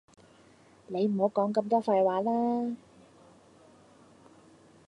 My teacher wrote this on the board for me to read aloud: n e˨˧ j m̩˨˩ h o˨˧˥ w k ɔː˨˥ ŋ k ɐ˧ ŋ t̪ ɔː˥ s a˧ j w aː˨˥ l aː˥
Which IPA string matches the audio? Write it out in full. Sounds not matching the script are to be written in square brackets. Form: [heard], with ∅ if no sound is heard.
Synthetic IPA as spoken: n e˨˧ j m̩˨˩ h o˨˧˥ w k ɔː˨˥ ŋ k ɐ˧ [m] t̪ ɔː˥ [f] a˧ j w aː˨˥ l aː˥